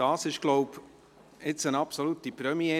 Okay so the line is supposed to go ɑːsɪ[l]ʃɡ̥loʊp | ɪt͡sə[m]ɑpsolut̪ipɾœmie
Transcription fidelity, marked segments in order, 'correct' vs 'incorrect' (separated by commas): incorrect, incorrect